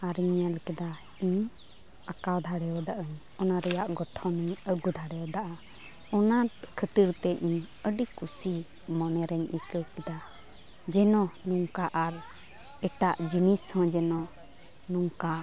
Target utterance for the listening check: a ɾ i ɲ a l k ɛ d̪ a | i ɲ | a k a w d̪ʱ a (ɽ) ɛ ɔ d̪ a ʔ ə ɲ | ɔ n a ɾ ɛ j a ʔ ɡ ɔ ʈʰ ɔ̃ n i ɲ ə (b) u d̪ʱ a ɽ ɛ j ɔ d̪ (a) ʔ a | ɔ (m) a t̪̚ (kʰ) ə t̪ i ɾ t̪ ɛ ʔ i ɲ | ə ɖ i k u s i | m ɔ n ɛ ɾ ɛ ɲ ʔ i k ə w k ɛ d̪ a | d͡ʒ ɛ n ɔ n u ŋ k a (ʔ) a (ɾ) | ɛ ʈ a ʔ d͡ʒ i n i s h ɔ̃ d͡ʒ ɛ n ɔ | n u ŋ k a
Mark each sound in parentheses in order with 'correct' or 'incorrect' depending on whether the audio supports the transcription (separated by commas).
correct, incorrect, correct, incorrect, correct, correct, correct